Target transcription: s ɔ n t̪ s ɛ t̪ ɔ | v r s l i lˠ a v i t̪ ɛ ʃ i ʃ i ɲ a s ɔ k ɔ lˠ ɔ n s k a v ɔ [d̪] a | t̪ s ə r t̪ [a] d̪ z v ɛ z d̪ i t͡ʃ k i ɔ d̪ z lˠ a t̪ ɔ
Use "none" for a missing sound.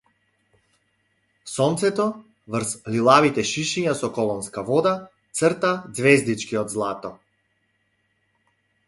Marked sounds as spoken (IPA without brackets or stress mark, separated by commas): d̪, a